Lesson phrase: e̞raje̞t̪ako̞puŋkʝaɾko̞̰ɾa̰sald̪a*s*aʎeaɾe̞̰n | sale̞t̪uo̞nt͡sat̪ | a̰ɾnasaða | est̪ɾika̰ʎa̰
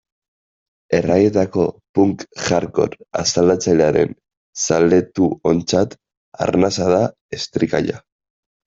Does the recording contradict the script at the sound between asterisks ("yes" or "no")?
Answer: yes